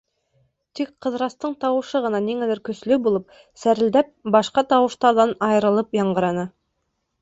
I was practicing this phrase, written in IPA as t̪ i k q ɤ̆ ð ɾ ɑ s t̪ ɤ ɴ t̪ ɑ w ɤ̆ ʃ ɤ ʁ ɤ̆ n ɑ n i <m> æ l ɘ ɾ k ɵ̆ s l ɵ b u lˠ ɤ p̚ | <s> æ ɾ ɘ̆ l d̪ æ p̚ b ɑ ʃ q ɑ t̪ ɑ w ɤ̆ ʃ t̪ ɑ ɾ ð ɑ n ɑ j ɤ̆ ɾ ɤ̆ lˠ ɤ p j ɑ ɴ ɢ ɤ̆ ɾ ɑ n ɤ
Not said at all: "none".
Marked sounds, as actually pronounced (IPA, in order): ŋ, s

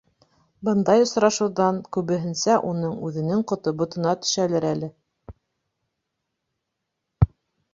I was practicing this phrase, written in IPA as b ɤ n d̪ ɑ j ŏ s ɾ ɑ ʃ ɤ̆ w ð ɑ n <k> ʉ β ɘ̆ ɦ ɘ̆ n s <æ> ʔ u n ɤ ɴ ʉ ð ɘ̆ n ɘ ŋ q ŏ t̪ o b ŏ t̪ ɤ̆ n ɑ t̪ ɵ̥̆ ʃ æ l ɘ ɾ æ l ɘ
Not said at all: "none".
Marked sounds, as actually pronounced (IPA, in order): k, æ

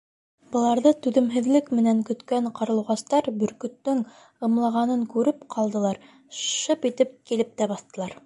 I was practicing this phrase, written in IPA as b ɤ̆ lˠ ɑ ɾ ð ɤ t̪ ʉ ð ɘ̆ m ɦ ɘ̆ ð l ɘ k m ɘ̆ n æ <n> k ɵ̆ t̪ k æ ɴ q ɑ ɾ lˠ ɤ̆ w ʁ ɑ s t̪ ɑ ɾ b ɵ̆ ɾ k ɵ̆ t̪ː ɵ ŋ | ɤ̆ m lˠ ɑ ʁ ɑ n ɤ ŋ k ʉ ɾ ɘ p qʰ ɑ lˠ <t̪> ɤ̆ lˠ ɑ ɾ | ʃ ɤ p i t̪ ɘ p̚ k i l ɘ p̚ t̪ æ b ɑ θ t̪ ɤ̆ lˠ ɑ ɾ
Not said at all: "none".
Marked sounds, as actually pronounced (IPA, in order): ŋ, d̪

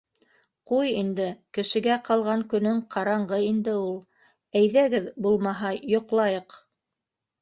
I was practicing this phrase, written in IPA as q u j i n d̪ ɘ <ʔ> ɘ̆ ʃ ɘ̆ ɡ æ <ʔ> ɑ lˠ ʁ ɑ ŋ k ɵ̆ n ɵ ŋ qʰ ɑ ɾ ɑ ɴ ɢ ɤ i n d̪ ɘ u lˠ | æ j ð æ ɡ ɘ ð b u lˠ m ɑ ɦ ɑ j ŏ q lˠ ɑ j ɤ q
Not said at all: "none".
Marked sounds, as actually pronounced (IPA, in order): k, q

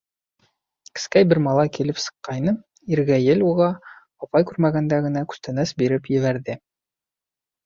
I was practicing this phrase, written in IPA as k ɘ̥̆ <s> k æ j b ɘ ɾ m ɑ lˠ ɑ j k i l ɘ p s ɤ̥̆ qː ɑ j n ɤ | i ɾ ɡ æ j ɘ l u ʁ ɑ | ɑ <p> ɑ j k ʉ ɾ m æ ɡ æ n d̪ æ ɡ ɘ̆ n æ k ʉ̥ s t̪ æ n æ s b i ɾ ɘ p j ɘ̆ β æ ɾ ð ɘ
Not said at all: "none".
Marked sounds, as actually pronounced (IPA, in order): s, p

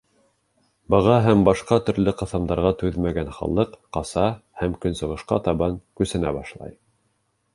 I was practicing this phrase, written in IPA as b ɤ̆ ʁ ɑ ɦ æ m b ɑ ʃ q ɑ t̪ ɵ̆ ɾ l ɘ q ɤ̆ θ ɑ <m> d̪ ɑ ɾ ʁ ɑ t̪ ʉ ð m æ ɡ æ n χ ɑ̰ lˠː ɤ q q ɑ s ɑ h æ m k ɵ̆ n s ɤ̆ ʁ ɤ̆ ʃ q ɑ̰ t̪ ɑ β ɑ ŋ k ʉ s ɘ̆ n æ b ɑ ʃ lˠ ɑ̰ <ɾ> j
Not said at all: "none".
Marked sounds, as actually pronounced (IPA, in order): m, none

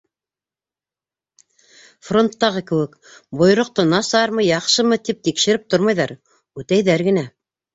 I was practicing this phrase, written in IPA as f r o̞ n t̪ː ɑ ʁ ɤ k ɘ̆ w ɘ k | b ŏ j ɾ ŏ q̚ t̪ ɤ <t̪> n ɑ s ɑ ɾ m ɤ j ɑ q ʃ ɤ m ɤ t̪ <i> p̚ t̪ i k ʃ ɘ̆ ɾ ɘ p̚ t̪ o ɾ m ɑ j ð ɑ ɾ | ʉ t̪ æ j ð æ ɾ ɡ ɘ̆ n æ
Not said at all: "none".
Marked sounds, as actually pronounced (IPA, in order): none, i

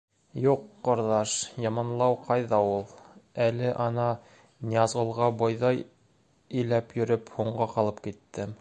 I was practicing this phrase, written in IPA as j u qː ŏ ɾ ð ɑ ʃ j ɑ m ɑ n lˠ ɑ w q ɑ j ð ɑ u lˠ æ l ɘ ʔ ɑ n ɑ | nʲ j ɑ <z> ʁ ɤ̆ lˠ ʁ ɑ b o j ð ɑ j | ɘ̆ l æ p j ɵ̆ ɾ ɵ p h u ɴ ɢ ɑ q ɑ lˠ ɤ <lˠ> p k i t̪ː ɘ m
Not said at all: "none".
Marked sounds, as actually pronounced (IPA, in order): z, none

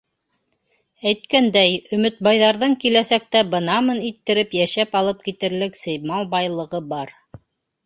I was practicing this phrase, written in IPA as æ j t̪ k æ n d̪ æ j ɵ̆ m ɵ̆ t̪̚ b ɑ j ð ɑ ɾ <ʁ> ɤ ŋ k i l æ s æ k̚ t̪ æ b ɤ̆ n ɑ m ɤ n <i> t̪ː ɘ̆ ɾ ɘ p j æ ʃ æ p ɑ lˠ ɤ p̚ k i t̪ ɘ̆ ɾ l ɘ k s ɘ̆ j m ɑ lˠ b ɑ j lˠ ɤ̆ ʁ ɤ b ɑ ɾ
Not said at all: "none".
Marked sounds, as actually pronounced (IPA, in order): ð, i

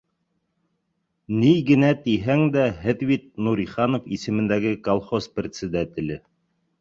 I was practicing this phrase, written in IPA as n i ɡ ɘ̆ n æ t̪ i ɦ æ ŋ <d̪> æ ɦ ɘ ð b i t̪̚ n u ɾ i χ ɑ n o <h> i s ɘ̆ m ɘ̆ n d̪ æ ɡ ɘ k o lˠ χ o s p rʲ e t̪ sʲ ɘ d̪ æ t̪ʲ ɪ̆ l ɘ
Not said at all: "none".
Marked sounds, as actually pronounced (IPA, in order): d̪, f

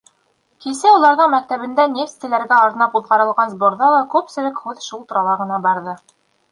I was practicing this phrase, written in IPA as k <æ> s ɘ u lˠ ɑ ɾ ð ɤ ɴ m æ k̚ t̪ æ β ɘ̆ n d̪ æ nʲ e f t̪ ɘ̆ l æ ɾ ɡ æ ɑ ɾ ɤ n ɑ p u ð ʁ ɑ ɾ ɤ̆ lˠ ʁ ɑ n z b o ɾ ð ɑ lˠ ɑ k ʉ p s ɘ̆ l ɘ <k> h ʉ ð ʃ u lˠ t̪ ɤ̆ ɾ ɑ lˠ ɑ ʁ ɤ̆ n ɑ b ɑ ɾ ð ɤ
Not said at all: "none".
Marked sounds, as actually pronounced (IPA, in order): i, k

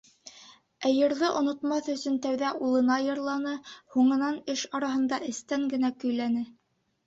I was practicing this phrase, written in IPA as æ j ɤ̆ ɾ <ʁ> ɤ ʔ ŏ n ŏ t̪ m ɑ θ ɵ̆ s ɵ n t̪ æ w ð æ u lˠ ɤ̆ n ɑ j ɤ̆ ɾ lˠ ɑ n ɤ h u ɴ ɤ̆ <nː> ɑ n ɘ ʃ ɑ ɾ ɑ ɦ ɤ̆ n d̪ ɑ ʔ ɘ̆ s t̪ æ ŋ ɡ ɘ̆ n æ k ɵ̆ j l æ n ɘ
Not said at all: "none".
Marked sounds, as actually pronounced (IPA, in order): ð, n

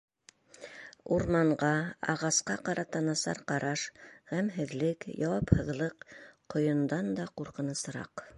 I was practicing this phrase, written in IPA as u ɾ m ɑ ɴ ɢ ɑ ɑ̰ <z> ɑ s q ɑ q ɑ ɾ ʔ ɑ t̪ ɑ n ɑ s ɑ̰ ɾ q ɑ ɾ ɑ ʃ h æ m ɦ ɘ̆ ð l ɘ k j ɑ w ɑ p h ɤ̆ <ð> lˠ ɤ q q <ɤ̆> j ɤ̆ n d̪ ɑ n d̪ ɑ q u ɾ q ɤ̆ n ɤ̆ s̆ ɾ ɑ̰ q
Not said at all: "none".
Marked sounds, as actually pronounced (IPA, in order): ʁ, ð, ŏ

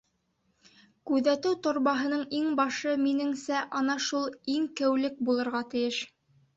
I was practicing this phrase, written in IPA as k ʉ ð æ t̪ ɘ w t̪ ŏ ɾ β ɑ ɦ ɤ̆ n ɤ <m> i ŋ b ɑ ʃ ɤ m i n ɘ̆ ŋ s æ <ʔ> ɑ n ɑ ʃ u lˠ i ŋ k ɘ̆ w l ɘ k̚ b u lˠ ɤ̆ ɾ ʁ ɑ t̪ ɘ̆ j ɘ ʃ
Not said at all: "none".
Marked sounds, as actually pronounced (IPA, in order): ɴ, ʔ

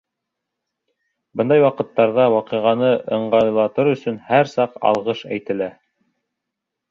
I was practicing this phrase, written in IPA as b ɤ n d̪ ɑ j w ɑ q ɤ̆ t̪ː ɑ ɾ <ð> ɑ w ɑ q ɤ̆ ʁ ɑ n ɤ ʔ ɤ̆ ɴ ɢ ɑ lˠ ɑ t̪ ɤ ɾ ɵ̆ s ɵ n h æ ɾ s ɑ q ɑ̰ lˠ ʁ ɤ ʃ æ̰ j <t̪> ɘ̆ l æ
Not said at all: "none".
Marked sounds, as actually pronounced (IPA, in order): ð, t̪

